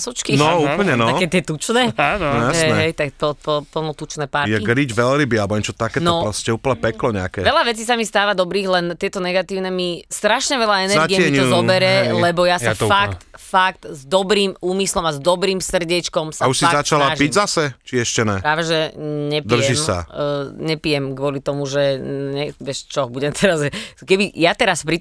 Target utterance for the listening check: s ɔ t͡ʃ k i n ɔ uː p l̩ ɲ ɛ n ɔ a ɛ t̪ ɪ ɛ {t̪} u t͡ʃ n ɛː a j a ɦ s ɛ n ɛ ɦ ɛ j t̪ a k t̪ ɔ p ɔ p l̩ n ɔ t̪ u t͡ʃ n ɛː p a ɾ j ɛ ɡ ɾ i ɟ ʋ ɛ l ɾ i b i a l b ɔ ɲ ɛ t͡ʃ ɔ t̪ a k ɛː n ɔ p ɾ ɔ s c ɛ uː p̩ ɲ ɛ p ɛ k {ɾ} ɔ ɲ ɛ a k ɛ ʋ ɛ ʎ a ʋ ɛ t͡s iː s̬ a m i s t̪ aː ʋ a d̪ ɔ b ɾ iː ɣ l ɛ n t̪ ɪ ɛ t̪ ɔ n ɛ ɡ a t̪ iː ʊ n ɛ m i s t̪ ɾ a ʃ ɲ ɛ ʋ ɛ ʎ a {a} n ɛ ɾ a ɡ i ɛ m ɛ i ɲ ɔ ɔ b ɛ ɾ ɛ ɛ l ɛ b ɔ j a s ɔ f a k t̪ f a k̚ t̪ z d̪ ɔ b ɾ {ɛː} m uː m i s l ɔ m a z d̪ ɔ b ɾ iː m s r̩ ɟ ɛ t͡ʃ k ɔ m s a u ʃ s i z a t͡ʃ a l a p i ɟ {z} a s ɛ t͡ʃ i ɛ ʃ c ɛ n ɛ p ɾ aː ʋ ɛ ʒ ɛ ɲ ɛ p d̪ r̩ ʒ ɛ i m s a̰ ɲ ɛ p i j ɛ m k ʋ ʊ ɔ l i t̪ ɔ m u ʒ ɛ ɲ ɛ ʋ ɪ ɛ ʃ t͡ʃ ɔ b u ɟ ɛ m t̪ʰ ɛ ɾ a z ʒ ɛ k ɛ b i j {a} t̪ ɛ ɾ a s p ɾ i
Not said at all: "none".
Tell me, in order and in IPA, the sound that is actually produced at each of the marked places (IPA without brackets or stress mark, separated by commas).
t̪, l, ɛ, iː, z, a